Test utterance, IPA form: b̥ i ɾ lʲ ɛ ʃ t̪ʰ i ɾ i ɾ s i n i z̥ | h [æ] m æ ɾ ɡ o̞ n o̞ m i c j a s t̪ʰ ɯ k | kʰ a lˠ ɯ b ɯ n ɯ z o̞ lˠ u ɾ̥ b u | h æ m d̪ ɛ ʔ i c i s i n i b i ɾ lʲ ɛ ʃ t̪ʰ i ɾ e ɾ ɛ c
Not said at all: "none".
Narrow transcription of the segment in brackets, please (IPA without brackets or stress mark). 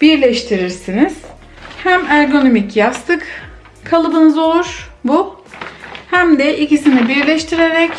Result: æ